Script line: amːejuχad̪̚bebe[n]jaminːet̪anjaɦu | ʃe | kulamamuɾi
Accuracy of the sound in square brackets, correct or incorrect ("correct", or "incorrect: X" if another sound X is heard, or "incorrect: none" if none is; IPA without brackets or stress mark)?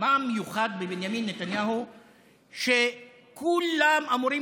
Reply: correct